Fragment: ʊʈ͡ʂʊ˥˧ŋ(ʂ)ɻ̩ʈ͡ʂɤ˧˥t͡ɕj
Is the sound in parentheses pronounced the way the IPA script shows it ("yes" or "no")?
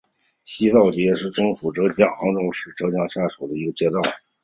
yes